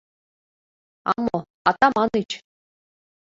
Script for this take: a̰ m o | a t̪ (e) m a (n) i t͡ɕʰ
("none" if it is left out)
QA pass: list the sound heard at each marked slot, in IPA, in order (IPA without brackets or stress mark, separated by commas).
a, n